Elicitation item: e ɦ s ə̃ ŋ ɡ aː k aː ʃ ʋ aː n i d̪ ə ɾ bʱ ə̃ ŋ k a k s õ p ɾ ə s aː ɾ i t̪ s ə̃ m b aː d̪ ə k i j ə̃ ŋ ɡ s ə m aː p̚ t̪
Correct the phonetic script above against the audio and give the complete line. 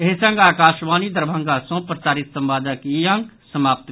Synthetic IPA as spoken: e ɦ s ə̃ ŋ ɡ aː k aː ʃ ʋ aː n i d̪ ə ɾ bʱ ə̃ ŋ ɡ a s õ p ɾ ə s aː ɾ i t̪ s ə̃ m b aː d̪ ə k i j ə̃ ŋ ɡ s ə m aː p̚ t̪